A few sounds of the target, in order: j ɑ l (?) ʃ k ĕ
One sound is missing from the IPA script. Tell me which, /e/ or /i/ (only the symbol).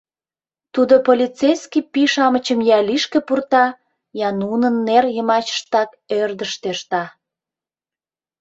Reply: i